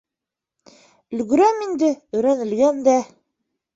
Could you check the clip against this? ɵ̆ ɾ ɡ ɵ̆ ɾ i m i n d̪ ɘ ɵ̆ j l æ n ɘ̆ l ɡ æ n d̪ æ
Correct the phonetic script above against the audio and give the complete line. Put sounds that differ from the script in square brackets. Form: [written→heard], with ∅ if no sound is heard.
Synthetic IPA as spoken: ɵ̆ [ɾ→l] ɡ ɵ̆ ɾ [i→æ] m i n d̪ ɘ ɵ̆ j [l→ɾ] æ n ɘ̆ l ɡ æ n d̪ æ